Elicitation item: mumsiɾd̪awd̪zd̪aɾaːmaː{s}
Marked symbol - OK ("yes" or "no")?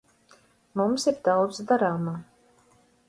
no